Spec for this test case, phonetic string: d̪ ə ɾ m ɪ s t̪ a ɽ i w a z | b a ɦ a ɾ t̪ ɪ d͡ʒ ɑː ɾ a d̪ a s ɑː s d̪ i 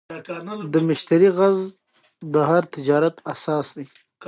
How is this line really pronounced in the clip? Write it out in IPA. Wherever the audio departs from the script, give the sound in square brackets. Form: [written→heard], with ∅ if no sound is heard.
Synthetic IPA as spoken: d̪ ə [ɾ→∅] m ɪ [s→ʃ] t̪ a [ɽ→ɾ] i [w→ɣ] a z | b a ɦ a ɾ t̪ ɪ d͡ʒ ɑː ɾ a [d̪→t̪] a s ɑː s d̪ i

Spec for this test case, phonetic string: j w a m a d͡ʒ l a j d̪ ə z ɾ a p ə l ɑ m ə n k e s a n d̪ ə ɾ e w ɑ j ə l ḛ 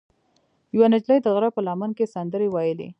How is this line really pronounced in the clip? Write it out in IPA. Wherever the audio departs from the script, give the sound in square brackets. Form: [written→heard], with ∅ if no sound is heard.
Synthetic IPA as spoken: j w a [m→n] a d͡ʒ l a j d̪ ə [z→ɣ] ɾ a p ə l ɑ m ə n k e s a n d̪ ə ɾ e w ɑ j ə l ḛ

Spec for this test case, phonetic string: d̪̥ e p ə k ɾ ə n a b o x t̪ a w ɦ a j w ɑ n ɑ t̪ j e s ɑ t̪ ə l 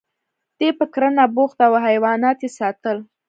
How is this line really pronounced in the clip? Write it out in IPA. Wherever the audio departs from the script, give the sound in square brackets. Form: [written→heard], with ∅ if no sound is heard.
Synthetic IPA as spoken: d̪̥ e p ə k ɾ ə n a b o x t̪ a w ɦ a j w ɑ n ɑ t̪ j e s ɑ t̪ ə l

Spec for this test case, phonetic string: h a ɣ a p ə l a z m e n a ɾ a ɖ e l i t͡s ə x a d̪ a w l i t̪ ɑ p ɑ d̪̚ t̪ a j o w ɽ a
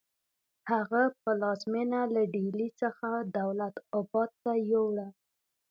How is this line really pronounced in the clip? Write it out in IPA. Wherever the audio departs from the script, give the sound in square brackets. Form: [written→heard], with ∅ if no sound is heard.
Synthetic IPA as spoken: h a ɣ a p ə l [a→ɑ] z m e n a [ɾ→l] a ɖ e l i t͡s ə x a d̪ a w l [i→a] t̪ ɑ [p→b] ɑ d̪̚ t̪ a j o w ɽ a

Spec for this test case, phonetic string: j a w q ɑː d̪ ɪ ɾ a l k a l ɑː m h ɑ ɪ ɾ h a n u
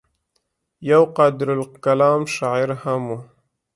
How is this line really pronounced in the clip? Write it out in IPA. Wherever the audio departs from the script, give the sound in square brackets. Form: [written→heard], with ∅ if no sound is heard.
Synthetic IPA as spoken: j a w q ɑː d̪ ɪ ɾ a l k a l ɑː m [h→ʃ] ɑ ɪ ɾ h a [n→m] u

